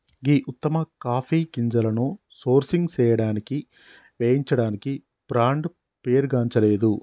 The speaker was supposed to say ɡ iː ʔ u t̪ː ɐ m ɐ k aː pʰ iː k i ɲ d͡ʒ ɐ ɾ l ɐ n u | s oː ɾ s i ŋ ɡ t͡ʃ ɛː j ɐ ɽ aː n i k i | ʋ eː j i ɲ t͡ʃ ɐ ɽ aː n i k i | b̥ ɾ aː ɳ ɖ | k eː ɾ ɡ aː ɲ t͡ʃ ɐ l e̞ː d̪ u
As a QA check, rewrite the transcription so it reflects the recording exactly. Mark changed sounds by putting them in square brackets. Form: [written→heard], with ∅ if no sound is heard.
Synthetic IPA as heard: ɡ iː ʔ u t̪ː ɐ m ɐ k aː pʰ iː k i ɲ d͡ʒ ɐ [ɾ→∅] l ɐ n u | s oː ɾ s i ŋ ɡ t͡ʃ ɛː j ɐ ɽ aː n i k i | ʋ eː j i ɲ t͡ʃ ɐ ɽ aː n i k i | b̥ ɾ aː ɳ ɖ | [k→p] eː ɾ ɡ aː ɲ t͡ʃ ɐ l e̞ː d̪ u